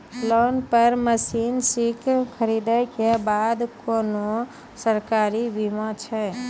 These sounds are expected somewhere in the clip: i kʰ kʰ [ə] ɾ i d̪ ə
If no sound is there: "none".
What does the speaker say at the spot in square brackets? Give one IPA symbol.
ə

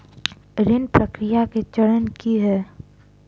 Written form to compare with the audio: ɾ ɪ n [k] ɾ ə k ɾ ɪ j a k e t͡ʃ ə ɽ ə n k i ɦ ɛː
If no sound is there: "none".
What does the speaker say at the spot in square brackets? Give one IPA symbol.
p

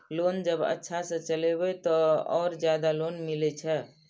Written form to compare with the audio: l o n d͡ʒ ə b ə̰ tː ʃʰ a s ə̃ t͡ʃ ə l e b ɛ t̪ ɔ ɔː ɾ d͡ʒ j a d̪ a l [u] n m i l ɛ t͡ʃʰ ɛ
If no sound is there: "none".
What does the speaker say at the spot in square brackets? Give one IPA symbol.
o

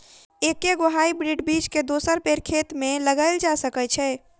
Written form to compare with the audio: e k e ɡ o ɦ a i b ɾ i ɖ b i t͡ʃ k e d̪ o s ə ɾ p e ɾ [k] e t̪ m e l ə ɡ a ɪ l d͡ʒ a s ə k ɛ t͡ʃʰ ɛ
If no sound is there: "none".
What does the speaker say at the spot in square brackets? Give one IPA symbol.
kʰ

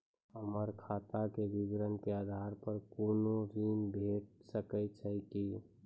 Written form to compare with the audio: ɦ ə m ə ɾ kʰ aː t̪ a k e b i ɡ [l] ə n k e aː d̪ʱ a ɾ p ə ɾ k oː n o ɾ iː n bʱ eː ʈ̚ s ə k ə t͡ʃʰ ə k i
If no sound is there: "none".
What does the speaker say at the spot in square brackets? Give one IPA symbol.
ɾ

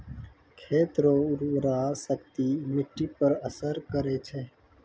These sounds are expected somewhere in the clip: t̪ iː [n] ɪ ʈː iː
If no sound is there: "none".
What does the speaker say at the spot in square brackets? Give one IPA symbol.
m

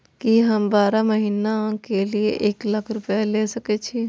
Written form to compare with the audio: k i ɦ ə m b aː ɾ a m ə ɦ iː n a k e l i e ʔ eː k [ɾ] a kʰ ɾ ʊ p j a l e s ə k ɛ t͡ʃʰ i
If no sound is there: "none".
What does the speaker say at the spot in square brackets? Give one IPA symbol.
l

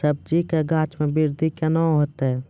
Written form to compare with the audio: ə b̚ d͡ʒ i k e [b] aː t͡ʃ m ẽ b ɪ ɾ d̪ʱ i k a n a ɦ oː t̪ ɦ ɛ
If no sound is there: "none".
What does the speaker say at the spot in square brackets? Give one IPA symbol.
ɡ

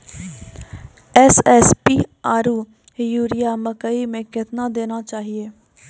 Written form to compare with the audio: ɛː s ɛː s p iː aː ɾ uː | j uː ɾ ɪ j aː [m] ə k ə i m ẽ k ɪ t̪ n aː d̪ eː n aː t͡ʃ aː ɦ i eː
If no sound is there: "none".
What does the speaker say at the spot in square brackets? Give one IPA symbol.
m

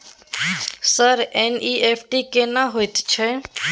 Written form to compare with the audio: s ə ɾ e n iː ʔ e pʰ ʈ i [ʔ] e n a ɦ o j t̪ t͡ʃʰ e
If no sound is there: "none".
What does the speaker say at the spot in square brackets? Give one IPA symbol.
k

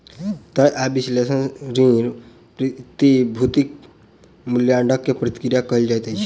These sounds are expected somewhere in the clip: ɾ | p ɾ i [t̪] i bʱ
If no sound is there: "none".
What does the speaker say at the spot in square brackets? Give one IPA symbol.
t̪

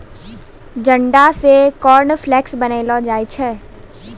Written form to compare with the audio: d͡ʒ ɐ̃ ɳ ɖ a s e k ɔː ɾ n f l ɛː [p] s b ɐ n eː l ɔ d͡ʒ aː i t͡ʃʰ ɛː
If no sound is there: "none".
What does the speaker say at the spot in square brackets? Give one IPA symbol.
k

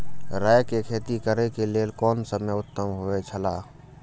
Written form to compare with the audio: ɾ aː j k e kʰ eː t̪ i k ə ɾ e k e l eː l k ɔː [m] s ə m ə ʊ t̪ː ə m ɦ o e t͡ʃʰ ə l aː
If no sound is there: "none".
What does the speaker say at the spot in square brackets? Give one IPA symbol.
n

